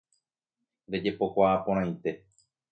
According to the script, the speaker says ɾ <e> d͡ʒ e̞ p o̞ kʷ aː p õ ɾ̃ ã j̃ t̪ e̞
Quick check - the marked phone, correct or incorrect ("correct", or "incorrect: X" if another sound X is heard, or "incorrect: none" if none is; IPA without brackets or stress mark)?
correct